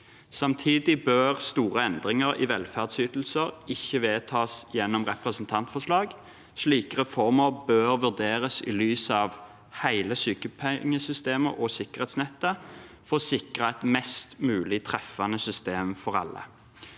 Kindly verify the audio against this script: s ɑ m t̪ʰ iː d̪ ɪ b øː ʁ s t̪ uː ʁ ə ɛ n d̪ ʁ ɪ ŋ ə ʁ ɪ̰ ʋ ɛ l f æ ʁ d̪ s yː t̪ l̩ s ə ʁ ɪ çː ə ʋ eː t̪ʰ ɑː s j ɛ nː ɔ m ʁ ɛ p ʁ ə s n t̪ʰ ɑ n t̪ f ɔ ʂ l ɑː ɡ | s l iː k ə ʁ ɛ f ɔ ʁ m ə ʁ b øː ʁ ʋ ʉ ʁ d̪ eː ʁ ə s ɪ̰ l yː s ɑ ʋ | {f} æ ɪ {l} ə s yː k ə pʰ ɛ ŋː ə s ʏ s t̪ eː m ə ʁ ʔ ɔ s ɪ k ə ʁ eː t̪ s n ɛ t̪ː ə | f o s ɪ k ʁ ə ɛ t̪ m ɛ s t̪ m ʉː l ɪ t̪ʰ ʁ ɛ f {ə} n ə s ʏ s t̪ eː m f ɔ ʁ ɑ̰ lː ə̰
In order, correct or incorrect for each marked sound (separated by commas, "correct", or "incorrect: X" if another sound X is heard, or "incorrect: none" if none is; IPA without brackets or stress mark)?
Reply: incorrect: h, correct, incorrect: ɑ